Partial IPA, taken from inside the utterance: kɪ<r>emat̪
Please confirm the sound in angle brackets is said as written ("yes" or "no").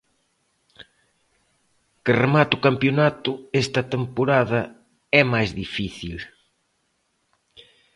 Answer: yes